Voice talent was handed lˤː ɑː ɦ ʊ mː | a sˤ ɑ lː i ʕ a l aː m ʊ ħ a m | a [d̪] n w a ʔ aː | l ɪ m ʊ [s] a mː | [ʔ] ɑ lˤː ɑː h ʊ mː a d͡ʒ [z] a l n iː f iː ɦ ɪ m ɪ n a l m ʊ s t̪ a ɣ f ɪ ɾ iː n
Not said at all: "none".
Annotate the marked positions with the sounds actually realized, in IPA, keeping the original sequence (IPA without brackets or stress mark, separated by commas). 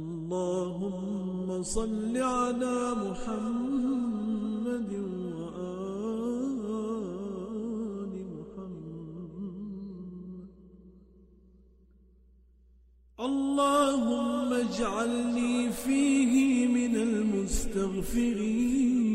d̪, ħ, ʔ, ʕ